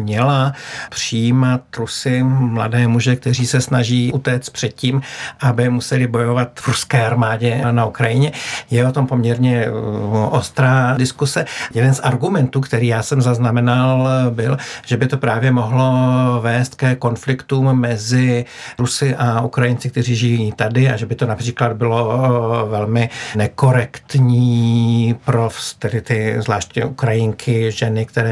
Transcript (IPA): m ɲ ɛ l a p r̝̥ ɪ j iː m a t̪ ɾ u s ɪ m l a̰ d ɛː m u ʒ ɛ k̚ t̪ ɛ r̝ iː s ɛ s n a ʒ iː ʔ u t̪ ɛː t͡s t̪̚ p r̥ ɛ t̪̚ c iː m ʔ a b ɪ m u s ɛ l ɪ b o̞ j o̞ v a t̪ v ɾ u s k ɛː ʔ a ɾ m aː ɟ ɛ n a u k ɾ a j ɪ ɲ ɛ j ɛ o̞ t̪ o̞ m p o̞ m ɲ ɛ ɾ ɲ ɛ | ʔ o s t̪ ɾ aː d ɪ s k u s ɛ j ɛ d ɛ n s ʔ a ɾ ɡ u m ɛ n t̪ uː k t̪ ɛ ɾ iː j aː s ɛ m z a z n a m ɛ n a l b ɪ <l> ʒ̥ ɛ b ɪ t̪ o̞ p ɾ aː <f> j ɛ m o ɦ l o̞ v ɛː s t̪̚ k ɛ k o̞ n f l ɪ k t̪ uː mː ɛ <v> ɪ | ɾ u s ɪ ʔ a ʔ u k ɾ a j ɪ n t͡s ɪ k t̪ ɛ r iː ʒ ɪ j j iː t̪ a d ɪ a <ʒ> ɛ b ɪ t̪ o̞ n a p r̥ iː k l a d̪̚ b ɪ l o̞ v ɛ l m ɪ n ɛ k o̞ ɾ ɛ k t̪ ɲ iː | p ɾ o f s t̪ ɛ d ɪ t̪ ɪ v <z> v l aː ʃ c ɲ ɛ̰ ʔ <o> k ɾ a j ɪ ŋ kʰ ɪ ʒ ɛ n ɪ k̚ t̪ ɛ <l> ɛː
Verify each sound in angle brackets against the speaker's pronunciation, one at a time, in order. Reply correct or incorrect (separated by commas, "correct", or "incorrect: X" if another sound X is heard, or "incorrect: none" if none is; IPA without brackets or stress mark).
correct, incorrect: v, incorrect: z, correct, correct, incorrect: u, incorrect: ɾ